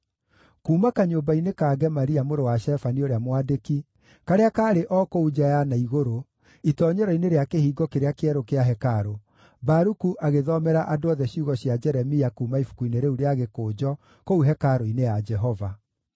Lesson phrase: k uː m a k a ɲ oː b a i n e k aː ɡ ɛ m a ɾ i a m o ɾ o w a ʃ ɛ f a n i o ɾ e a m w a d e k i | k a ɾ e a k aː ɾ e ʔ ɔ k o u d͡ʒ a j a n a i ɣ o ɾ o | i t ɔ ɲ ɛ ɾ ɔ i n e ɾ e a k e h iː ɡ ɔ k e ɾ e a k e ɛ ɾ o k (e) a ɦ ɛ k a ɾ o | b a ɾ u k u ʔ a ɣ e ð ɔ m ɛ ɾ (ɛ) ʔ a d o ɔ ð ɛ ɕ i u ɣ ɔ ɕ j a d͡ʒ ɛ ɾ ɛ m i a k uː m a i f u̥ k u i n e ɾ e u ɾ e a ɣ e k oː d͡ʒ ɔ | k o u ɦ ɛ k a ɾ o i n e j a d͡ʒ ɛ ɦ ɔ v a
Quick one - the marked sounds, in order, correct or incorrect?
correct, incorrect: a

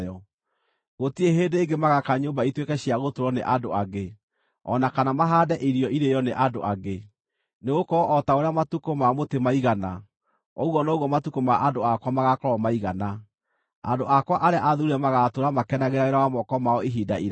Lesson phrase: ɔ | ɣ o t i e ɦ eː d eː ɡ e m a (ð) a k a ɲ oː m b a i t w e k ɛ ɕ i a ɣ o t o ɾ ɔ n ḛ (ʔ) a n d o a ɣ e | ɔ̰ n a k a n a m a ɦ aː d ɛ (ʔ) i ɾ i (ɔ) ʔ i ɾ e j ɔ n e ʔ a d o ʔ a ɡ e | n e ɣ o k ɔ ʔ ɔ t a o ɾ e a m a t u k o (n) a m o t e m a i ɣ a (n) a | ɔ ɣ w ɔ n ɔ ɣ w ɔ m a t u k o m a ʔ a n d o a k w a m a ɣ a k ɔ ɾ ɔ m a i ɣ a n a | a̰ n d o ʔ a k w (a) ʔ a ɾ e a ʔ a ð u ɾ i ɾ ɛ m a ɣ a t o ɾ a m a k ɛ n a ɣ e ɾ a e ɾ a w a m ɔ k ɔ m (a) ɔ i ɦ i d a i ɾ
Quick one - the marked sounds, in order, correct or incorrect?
incorrect: ɣ, correct, correct, correct, incorrect: m, correct, correct, correct

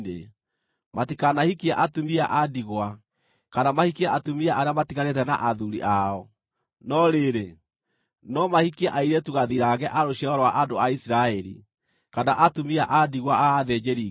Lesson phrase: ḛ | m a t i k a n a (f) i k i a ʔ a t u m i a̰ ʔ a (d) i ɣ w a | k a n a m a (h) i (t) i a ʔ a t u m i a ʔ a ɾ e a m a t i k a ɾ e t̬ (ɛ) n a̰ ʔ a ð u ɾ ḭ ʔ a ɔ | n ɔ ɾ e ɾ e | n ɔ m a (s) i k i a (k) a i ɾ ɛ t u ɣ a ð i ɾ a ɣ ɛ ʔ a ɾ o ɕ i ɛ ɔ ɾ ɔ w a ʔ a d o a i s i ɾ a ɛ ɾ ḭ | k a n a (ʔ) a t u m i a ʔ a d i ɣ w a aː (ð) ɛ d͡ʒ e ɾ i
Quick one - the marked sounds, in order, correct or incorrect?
incorrect: h, correct, correct, incorrect: k, correct, incorrect: h, incorrect: ʔ, correct, correct

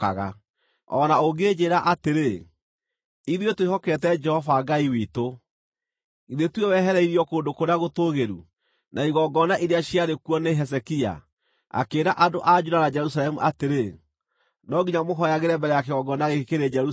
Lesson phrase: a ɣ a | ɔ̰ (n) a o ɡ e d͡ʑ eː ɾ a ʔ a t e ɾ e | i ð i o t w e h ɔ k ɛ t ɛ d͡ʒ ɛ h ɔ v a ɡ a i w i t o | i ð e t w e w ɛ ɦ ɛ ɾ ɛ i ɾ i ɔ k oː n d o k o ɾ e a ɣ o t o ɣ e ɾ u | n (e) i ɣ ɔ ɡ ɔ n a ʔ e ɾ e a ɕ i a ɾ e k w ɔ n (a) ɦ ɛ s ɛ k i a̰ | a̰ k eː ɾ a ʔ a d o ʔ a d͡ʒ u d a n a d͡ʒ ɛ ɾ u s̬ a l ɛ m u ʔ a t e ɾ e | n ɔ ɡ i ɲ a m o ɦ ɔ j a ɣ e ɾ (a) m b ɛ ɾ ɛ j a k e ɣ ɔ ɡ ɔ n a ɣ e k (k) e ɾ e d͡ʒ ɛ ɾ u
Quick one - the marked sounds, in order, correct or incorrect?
correct, incorrect: a, incorrect: e, incorrect: ɛ, correct

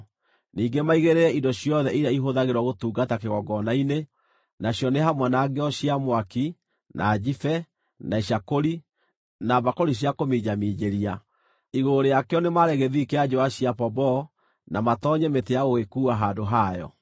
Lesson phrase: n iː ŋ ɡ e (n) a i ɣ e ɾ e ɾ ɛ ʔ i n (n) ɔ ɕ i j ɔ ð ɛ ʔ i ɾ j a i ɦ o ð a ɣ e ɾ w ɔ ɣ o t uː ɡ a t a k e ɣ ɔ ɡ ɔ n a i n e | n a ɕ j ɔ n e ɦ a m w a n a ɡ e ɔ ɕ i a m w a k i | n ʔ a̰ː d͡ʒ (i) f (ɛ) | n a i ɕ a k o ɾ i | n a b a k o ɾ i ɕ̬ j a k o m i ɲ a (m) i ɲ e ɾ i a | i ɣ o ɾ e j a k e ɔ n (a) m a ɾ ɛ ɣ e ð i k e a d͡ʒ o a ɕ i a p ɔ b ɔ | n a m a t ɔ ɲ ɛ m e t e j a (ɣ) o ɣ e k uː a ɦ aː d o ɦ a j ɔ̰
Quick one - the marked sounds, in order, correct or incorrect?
incorrect: m, incorrect: d, correct, correct, correct, incorrect: e, correct

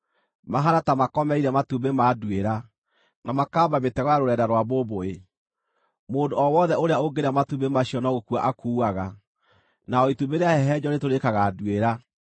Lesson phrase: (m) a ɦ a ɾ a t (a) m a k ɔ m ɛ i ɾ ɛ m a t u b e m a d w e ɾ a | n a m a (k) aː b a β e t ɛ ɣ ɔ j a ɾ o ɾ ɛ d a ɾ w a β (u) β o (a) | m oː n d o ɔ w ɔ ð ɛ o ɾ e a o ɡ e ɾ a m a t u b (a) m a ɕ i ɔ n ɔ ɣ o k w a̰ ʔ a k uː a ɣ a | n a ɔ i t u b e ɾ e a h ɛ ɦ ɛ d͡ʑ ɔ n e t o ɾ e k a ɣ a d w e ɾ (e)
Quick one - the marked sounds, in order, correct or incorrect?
correct, correct, correct, incorrect: o, incorrect: e, incorrect: e, incorrect: a

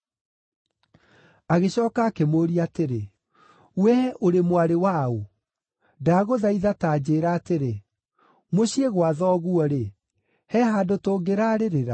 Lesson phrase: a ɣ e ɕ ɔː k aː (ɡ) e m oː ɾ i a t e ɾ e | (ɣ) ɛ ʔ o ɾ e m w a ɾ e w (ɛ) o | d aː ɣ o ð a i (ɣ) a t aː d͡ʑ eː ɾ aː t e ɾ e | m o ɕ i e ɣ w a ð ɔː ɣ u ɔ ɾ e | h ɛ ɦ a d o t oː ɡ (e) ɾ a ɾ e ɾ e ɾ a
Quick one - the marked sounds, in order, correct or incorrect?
incorrect: k, incorrect: w, incorrect: a, incorrect: ð, correct

